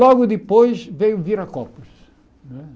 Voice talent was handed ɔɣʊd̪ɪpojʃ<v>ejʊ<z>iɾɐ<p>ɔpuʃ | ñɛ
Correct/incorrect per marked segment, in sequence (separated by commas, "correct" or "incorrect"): correct, incorrect, incorrect